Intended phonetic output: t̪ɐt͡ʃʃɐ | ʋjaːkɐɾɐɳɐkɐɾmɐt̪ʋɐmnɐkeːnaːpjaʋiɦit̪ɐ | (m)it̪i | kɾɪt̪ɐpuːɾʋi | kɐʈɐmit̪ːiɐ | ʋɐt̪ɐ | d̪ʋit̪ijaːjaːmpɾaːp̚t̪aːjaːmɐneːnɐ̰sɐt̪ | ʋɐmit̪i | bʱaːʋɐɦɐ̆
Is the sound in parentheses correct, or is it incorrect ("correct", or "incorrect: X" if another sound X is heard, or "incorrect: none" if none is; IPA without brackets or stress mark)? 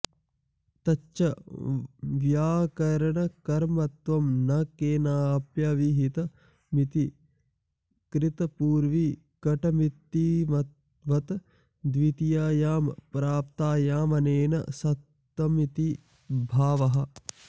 correct